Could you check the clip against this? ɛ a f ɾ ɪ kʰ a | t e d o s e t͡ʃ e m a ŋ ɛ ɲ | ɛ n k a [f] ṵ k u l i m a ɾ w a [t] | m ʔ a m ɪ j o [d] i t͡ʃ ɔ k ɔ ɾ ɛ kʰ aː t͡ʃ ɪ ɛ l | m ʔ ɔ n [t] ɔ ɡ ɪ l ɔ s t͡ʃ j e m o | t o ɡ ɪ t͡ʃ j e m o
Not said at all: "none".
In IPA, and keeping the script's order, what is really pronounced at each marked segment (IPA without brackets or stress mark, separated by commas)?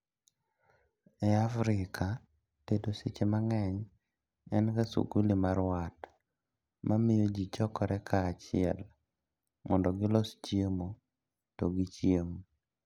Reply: s, t, d͡ʒ, d